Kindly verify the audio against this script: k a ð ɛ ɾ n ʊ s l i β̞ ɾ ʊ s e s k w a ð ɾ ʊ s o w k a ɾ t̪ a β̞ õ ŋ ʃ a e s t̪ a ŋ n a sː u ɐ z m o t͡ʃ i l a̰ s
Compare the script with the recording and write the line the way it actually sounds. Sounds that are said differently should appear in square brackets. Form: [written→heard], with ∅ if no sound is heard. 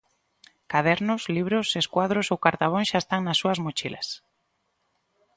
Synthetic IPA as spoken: k a ð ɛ ɾ n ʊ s l i β̞ ɾ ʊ s e s k w a ð ɾ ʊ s o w k a ɾ t̪ a β̞ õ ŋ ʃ a e s t̪ a ŋ n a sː u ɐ z m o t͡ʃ i l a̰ s